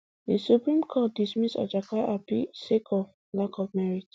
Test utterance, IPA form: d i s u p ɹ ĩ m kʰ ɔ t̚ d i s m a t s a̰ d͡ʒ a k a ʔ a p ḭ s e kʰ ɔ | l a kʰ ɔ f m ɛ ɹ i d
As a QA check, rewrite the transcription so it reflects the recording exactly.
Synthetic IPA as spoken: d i s u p ɹ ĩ m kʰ ɔ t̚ d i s m i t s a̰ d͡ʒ a k a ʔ a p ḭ s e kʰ ɔ | l a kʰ ɔ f m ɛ ɹ i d

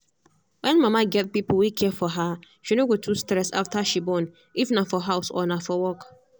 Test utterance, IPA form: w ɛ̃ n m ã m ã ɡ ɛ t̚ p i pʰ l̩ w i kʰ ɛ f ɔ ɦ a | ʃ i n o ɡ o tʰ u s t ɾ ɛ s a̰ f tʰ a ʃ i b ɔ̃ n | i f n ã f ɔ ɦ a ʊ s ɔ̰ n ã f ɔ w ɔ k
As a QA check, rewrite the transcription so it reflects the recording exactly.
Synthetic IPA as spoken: w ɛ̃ n m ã m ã ɡ ɛ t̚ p i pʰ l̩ w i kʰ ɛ f ɔ ɦ a | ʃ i n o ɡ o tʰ u s t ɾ ɛ s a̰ f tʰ a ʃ i b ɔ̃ n | i f n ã f ɔ ɦ a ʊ s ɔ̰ n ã f ɔ w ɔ k

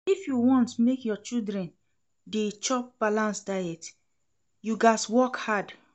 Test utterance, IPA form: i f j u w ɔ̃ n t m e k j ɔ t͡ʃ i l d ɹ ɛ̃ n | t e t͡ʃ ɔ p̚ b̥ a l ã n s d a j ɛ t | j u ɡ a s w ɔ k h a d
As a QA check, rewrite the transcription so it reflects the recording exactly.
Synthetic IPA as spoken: i f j u w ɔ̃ n t m e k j ɔ t͡ʃ i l d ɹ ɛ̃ n | d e t͡ʃ ɔ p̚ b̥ a l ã n s d a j ɛ t | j u ɡ a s w ɔ k h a d

